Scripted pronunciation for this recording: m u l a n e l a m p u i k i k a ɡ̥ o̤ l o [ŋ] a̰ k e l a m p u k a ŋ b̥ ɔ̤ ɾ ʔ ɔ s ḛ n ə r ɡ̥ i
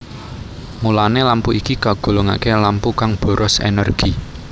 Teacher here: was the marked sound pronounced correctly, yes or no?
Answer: yes